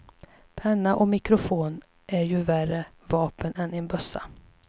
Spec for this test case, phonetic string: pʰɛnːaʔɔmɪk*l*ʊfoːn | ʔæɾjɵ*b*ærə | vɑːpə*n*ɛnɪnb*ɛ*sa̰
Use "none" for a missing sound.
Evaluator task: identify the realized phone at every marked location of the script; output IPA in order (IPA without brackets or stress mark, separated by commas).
ɾ, v, n, œ